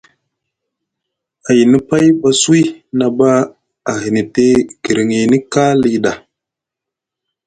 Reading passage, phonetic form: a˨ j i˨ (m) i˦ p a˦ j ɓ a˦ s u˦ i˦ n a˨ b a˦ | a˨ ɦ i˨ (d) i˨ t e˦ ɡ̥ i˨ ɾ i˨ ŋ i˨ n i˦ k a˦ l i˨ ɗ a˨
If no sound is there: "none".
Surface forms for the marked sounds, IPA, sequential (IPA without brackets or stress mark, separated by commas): n, n